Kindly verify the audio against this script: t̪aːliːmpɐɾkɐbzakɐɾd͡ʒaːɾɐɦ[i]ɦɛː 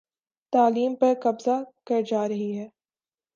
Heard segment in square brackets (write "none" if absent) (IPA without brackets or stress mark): i